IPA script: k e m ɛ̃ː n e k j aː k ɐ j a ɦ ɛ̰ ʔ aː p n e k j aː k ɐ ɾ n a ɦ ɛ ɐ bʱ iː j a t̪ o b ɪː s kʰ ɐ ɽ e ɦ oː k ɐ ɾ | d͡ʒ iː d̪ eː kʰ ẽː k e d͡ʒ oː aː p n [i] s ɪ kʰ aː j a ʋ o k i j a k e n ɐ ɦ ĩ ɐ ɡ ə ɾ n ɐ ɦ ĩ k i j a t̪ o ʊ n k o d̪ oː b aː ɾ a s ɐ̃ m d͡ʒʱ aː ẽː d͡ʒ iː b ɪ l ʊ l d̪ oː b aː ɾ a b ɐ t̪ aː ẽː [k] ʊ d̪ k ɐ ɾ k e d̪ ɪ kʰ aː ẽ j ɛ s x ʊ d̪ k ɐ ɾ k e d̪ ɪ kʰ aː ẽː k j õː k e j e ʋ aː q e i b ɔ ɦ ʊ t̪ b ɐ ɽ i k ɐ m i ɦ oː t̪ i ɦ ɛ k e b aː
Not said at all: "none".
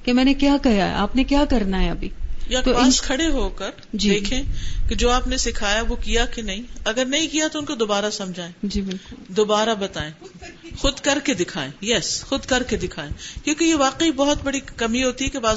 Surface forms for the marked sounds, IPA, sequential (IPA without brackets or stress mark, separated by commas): e, x